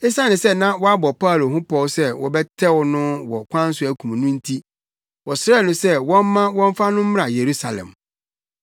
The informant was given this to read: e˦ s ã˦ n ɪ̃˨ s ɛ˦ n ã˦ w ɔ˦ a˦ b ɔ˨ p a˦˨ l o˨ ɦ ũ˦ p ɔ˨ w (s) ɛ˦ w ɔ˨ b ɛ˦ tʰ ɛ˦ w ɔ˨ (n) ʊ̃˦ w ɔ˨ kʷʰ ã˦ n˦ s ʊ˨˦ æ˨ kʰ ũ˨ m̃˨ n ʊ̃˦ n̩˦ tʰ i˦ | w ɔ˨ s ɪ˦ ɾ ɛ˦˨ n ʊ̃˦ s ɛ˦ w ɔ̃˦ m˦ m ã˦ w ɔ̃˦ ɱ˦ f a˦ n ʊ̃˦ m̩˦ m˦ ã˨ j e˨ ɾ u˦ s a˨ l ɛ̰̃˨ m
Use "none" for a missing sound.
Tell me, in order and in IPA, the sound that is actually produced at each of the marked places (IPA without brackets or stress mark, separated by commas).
s, n